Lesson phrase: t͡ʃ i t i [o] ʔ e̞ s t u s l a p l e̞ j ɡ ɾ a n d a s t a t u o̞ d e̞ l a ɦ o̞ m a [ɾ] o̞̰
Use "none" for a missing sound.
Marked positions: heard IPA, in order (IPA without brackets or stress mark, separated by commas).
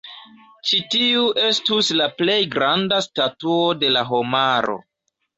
u, ɾ